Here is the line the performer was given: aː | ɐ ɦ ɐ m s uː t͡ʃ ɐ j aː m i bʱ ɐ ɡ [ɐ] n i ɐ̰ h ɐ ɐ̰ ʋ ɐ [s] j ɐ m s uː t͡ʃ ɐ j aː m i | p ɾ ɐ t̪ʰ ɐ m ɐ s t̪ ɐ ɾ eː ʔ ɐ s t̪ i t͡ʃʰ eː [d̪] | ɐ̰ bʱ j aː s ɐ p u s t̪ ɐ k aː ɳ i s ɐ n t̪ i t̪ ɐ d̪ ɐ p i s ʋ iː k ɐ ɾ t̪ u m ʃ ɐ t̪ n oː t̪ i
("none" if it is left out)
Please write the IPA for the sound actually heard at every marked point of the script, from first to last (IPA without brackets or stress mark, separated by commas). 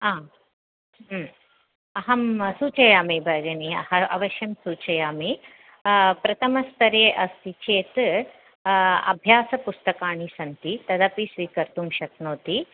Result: ɐ, ʃ, t̪